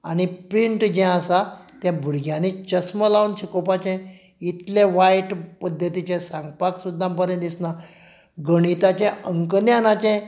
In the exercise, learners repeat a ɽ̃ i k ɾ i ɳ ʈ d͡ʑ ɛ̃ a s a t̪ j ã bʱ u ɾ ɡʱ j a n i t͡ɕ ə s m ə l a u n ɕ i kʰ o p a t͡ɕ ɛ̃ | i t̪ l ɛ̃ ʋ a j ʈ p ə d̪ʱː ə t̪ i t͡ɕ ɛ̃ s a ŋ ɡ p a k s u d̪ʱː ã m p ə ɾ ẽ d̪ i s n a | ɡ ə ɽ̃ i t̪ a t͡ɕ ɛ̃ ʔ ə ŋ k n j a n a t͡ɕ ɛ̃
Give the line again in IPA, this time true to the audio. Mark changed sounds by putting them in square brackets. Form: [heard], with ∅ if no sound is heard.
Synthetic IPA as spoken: a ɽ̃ i [p] ɾ i ɳ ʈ d͡ʑ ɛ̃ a s a t̪ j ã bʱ u ɾ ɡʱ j a n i t͡ɕ ə s m ə l a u n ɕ i [k] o p a t͡ɕ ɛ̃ | i t̪ l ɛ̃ ʋ a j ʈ p ə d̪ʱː ə t̪ i t͡ɕ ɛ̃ s a ŋ ɡ p a k s u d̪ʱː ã m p ə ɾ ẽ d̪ i s n a | ɡ ə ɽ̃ i t̪ a t͡ɕ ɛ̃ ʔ ə ŋ k n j a n a t͡ɕ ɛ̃

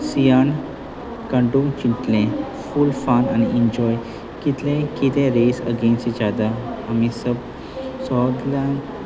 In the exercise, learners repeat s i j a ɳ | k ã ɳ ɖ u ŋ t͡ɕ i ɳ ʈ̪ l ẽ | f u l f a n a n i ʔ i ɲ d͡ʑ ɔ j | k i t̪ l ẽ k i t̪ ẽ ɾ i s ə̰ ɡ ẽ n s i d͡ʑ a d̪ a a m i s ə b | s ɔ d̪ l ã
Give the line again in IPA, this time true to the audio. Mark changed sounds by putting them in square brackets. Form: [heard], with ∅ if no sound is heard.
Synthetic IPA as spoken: s i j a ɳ | k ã ɳ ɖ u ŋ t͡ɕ i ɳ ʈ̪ l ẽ | f u l f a n a n i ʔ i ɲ d͡ʑ ɔ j | k i t̪ l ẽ k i t̪ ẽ ɾ [e] s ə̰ ɡ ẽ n s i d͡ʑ a d̪ a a m i s ə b | s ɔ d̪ l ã

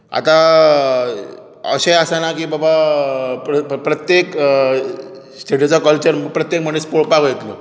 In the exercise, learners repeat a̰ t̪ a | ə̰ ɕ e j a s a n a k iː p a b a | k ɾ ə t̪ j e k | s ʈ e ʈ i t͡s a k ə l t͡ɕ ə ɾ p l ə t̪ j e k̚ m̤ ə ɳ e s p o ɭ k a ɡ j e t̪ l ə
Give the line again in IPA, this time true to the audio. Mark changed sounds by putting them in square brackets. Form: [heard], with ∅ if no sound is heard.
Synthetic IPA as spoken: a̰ t̪ a | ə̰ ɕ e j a s a n a k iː [b] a b a | [p] ɾ ə t̪ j e k | s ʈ e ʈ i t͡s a k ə l t͡ɕ ə ɾ p [ɾ] ə t̪ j e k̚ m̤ ə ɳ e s p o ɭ [p] a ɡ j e t̪ l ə

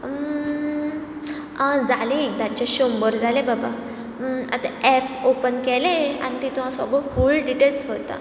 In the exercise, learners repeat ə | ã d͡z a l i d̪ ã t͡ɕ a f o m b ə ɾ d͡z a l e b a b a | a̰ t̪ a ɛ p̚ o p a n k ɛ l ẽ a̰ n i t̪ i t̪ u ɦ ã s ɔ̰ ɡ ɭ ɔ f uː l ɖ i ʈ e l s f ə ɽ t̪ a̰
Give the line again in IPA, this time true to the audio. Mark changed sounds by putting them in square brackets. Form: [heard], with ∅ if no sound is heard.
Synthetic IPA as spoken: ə | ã d͡z a l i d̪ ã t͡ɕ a [ɕ] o m b ə ɾ d͡z a l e b a b a | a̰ t̪ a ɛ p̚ o p [ə] n k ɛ l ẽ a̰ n i t̪ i t̪ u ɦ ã s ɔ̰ ɡ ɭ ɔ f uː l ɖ i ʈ e l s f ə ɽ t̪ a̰

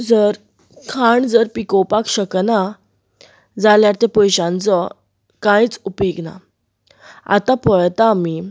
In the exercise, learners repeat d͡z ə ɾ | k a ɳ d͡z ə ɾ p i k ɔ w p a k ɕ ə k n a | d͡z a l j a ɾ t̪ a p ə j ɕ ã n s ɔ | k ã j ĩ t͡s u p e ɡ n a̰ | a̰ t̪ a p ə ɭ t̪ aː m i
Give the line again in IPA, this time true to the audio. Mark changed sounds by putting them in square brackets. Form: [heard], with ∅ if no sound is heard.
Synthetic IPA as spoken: d͡z ə ɾ | [kʰ] a ɳ d͡z ə ɾ p i k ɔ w p a k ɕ ə k n a | d͡z a l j a ɾ t̪ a p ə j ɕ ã n [t͡s] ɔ | k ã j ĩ t͡s u p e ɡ n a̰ | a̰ t̪ a p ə ɭ t̪ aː m i

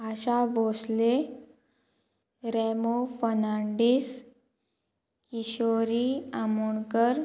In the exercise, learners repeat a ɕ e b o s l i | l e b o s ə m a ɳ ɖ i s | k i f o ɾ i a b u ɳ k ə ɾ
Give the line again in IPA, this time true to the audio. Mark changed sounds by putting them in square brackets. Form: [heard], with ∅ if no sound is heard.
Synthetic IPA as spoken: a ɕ [a] b o s l [e] | [ɾ] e [m] o [f] ə [n] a ɳ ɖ i s | k i [ɕ] o ɾ i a [m] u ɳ k ə ɾ

